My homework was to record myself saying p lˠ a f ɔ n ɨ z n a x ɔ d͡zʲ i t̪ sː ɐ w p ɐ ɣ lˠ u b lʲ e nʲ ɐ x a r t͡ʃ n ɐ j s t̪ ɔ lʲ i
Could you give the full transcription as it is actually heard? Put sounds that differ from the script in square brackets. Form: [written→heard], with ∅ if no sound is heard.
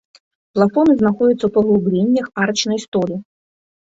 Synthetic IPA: p lˠ a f ɔ n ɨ z n a x ɔ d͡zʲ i t̪ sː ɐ w p ɐ ɣ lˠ u b lʲ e [nʲ→nʲː] ɐ x a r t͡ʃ n ɐ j s t̪ ɔ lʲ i